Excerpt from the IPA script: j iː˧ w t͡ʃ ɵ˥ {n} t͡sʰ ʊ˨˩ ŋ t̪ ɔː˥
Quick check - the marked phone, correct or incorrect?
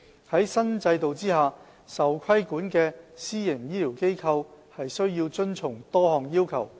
correct